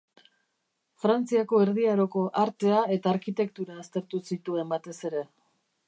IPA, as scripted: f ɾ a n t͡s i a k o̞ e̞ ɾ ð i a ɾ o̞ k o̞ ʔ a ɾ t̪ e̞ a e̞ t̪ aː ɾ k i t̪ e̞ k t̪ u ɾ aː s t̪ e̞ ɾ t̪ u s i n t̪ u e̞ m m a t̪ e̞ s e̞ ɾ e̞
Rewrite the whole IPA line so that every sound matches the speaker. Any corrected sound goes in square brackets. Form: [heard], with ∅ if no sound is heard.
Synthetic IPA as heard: f ɾ a n t͡s i a k o̞ e̞ ɾ ð i a ɾ o̞ k o̞ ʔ a ɾ t̪ e̞ a e̞ t̪ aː ɾ k i t̪ e̞ k t̪ u ɾ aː s t̪ e̞ ɾ t̪ u s i [∅] t̪ u e̞ m [b] a t̪ e̞ s e̞ ɾ e̞

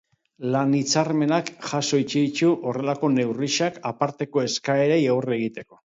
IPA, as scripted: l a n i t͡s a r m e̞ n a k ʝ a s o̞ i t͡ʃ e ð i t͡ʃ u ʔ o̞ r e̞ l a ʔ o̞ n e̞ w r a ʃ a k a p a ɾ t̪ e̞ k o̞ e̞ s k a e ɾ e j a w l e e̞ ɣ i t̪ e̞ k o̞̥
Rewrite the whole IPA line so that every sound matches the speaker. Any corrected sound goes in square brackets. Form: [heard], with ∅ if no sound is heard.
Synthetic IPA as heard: l a n i t͡s a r m e̞ n a k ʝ a s o̞ i t͡ʃ e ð i t͡ʃ u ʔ o̞ r e̞ l a [k] o̞ n e̞ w r [i] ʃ a k a p a ɾ t̪ e̞ k o̞ e̞ s k a e ɾ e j a w [r] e e̞ ɣ i t̪ e̞ k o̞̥

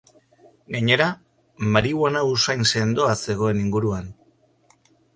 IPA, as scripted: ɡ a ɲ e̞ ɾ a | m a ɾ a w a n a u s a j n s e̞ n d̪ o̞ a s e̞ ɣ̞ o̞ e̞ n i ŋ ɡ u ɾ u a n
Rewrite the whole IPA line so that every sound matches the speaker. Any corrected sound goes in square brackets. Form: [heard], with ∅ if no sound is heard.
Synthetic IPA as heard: ɡ a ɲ e̞ ɾ a | m a ɾ [i] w a n a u s a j n s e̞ n d̪ o̞ a s e̞ ɣ̞ o̞ e̞ n i ŋ ɡ u ɾ u a n

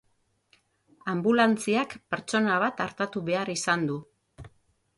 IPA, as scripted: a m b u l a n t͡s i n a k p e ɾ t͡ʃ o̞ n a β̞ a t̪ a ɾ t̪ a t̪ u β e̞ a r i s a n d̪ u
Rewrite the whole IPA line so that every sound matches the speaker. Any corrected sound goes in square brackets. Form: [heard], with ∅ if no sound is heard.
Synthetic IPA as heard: a m b u l a n t͡s i [∅] a k p e ɾ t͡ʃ o̞ n a β̞ a t̪ a ɾ t̪ a t̪ u β e̞ a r i s a n d̪ u

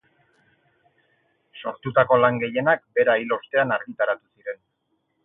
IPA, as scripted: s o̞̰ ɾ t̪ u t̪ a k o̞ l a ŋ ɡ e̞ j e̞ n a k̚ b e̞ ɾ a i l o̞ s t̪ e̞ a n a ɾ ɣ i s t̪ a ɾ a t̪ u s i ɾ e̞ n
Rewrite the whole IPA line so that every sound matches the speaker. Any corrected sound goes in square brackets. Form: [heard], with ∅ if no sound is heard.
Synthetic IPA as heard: s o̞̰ ɾ t̪ u t̪ a k o̞ l a ŋ ɡ e̞ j e̞ n a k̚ b e̞ ɾ a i l o̞ s t̪ e̞ a n a ɾ ɣ i [∅] t̪ a ɾ a t̪ u s i ɾ e̞ n

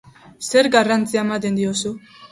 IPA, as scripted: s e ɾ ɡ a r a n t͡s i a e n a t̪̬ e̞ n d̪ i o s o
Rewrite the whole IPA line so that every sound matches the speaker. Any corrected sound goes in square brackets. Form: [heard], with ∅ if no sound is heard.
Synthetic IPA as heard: s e ɾ ɡ a r a n t͡s i a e [m] a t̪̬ e̞ n d̪ i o s [u]

